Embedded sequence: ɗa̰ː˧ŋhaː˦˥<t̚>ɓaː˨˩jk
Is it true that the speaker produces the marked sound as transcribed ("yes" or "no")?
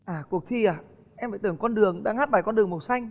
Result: yes